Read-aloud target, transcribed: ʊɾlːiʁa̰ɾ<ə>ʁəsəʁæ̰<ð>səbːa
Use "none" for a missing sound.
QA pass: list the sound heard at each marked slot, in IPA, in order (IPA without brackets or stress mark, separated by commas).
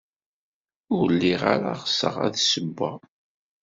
a, ð